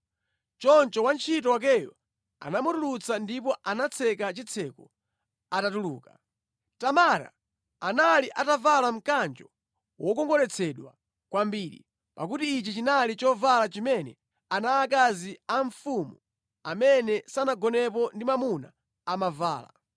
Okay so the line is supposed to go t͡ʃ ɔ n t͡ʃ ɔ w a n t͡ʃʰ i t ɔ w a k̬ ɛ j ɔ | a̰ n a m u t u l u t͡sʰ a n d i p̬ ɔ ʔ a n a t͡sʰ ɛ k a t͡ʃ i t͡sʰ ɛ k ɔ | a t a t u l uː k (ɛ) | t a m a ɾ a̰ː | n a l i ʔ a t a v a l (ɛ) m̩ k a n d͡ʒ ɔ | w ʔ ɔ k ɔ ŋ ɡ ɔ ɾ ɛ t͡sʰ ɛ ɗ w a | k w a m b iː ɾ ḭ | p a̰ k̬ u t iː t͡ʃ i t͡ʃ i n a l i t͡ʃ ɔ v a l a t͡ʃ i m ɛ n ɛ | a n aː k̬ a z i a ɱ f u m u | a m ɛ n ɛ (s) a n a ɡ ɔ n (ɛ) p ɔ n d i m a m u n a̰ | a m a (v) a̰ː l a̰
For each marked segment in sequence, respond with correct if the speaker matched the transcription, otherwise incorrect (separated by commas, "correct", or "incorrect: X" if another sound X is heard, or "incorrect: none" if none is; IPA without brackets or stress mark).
incorrect: a, incorrect: a, correct, correct, correct